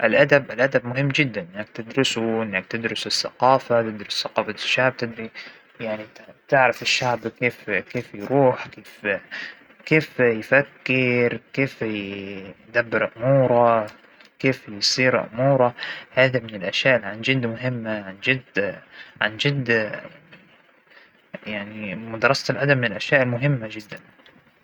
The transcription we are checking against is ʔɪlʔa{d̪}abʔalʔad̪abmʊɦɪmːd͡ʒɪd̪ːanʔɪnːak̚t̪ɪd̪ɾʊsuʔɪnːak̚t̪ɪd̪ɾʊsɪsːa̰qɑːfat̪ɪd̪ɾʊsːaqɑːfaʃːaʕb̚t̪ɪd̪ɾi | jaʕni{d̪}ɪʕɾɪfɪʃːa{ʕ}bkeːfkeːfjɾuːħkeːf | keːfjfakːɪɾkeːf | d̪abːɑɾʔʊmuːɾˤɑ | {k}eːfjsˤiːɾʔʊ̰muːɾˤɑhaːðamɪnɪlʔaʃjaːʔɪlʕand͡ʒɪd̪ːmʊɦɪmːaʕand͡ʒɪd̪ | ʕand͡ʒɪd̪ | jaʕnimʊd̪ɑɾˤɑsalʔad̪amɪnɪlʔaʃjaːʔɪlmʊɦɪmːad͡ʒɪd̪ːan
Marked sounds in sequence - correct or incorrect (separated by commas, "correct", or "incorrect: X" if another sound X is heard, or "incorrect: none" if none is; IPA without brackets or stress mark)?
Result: correct, incorrect: t̪, correct, correct